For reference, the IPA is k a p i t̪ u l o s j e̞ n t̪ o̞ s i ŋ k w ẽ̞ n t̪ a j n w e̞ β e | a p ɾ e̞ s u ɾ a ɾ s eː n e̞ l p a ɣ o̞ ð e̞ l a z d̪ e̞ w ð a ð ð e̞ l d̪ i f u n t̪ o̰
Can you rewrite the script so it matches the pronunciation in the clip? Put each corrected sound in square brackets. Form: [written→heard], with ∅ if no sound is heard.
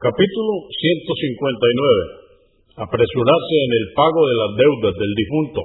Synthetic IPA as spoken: k a p i t̪ u l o s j e̞ n t̪ o̞ s i ŋ k w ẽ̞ n t̪ a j n w e̞ β e | a p ɾ e̞ s u ɾ a ɾ s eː n e̞ l p a ɣ o̞ ð e̞ l a z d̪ e̞ w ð a [ð→z] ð e̞ l d̪ i f u n t̪ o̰